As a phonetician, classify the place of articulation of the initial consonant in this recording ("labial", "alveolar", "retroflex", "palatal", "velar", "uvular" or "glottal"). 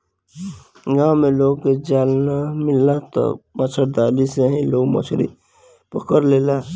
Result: velar